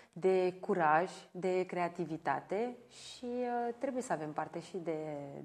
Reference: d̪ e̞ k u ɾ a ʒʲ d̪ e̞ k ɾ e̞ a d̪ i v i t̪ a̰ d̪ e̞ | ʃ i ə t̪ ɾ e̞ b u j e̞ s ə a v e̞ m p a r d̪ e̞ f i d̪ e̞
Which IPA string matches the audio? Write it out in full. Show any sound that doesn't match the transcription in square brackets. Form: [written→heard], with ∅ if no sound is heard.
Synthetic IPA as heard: d̪ e̞ k u ɾ a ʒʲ d̪ e̞ k ɾ e̞ a [d̪→t̪] i v i t̪ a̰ [d̪→t̪] e̞ | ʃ i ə t̪ ɾ e̞ b u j e̞ s ə a v e̞ m p a r [d̪→t̪] e̞ [f→ʃ] i d̪ e̞